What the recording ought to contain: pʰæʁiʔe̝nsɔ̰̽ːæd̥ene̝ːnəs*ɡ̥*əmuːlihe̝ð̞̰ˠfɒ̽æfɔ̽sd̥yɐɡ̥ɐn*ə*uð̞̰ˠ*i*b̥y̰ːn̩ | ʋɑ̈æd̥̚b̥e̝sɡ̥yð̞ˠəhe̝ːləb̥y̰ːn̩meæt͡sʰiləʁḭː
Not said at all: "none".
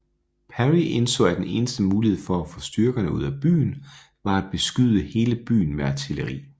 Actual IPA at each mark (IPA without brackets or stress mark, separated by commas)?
d̥, ə, æ